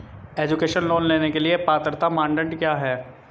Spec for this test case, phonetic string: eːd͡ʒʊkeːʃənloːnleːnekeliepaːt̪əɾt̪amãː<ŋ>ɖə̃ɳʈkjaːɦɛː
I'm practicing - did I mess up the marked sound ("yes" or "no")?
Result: yes